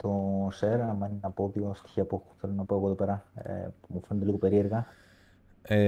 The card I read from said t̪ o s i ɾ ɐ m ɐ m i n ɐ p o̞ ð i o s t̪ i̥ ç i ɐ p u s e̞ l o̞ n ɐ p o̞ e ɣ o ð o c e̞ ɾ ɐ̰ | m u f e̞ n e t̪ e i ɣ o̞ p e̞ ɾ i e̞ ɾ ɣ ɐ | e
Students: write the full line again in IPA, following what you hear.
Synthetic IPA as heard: t̪ o s e ɾ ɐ m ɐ n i n ɐ p o̞ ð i o s t̪ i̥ ç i ɐ p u θ e̞ l o̞ n ɐ p o̞ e ɣ o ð o p e̞ ɾ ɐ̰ | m u f e̞ n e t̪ e i ɣ o̞ p e̞ ɾ i e̞ ɾ ɣ ɐ | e